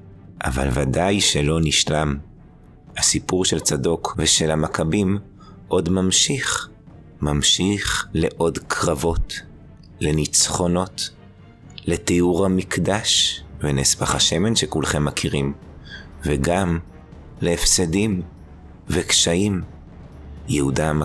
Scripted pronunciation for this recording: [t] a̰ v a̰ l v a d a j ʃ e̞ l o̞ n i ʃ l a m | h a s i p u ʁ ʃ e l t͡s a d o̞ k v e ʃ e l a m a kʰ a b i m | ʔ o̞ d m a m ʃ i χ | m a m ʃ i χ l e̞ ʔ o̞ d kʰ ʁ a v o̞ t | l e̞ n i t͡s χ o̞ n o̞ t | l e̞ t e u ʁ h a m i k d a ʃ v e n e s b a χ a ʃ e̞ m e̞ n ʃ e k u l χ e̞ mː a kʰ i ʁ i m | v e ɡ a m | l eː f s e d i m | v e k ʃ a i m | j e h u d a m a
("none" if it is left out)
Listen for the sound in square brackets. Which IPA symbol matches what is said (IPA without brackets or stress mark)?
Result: ʔ